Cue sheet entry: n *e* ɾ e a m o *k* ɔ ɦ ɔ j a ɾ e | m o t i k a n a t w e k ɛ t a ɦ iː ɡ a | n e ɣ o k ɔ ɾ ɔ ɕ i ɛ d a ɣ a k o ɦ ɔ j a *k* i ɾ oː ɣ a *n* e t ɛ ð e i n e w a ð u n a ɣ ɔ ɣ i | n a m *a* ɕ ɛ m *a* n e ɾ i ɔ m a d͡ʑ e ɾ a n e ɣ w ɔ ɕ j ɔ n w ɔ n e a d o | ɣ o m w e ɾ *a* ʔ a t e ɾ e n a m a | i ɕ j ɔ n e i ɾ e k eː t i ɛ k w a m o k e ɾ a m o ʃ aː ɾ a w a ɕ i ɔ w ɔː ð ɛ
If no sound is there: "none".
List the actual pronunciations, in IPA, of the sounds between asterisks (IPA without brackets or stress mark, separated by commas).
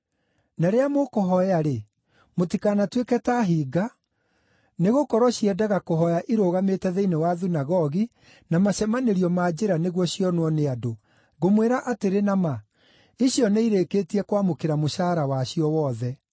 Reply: a, k, ʔ, m, a, a, a